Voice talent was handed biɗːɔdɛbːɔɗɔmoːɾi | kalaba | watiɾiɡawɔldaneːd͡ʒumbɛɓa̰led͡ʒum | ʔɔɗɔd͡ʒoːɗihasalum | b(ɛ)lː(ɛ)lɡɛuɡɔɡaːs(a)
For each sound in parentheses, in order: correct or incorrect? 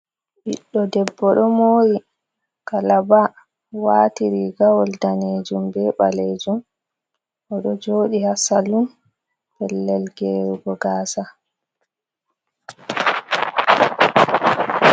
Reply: correct, correct, correct

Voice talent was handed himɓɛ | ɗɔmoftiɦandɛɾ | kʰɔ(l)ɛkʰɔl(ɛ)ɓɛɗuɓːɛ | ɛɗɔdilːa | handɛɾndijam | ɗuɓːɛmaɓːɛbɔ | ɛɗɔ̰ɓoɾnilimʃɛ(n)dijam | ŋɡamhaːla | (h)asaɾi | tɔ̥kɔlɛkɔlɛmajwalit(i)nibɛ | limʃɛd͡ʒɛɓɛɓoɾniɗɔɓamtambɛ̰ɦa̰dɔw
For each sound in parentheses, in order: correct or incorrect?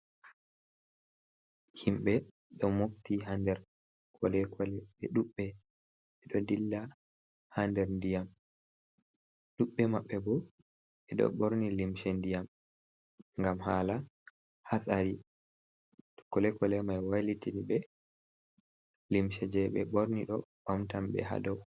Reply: correct, correct, correct, correct, correct

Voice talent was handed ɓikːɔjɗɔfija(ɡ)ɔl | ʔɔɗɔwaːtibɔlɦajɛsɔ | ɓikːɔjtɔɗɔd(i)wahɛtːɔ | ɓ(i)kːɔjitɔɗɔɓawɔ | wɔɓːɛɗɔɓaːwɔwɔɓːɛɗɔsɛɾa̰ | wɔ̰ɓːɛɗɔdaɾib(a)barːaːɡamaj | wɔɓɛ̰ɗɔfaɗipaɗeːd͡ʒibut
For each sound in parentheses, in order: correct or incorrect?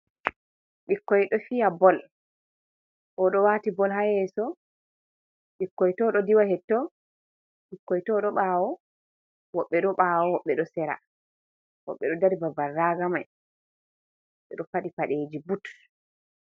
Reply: incorrect, correct, correct, correct

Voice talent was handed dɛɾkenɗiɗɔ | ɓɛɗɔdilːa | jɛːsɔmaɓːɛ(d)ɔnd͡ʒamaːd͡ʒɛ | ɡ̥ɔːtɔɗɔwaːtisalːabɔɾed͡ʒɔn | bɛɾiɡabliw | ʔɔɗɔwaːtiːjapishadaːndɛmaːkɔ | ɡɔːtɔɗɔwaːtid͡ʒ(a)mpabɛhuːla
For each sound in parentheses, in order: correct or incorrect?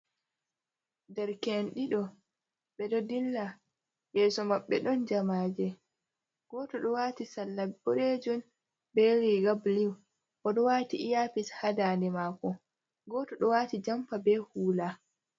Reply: incorrect, correct

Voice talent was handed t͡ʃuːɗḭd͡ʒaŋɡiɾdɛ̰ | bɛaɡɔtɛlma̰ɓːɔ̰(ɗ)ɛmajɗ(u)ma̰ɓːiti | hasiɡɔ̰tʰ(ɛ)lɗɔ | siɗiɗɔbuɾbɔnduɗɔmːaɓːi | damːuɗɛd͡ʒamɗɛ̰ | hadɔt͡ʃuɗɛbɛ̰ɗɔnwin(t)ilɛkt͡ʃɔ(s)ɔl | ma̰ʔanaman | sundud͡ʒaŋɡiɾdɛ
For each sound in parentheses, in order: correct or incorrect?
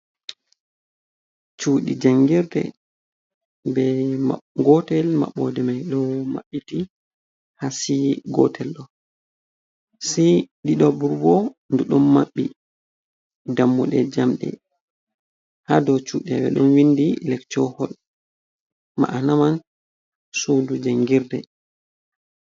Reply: incorrect, incorrect, correct, incorrect, incorrect

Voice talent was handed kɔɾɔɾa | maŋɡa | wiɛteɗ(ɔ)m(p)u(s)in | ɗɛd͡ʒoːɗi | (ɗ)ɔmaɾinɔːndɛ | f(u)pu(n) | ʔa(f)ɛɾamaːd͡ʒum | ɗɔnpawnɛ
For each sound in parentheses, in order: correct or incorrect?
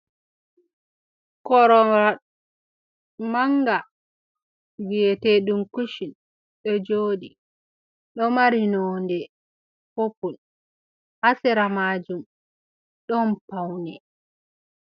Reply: incorrect, incorrect, incorrect, correct, incorrect, correct, incorrect

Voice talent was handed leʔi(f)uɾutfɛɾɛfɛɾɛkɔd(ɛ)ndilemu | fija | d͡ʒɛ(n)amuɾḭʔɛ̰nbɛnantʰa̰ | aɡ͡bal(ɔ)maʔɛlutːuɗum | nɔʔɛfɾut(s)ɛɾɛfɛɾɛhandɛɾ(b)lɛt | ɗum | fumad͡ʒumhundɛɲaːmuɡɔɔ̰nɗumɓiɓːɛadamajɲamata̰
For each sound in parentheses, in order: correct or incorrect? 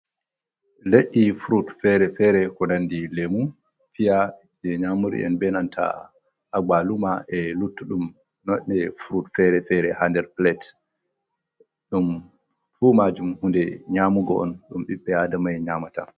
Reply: correct, incorrect, incorrect, incorrect, incorrect, incorrect

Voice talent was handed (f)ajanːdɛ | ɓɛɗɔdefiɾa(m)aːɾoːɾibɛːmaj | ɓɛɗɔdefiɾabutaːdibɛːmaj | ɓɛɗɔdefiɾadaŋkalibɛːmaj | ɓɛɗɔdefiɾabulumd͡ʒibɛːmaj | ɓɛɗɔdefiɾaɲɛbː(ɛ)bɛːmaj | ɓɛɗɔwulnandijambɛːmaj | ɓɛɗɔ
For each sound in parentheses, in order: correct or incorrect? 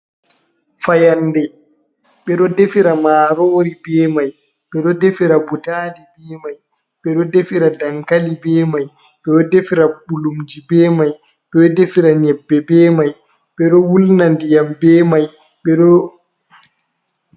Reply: correct, correct, correct

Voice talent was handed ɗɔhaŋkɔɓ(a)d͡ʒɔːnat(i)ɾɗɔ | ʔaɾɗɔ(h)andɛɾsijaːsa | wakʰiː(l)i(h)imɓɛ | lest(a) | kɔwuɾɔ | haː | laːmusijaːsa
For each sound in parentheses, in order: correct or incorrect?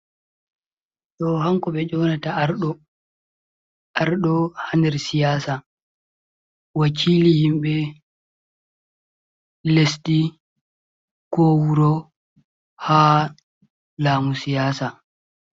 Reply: incorrect, incorrect, correct, correct, correct, incorrect

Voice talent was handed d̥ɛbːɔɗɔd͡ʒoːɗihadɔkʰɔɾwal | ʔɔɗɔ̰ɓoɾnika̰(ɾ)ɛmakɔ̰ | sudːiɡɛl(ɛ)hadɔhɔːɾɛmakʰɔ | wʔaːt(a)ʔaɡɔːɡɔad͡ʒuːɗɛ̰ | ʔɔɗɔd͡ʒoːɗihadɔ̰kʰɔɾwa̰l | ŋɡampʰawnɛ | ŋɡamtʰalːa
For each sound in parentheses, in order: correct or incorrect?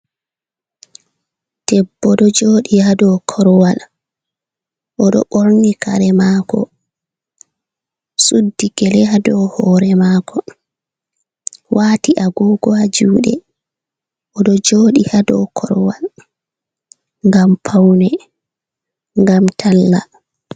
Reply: correct, correct, incorrect

